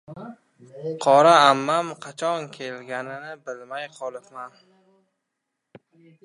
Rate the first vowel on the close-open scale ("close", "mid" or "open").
open